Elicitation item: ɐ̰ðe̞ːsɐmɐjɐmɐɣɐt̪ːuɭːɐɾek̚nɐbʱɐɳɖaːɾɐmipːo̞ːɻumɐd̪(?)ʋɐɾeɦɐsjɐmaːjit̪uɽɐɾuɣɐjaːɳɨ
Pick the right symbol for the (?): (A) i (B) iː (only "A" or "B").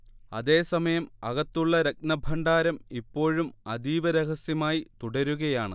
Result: B